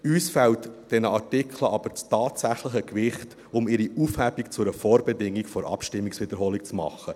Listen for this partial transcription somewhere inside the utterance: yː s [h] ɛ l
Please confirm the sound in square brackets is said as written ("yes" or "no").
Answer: no